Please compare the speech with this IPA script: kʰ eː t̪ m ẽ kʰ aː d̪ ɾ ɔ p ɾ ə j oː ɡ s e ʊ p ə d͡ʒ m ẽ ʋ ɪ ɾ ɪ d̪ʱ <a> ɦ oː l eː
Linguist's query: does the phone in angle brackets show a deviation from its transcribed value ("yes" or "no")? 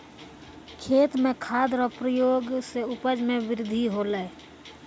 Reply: yes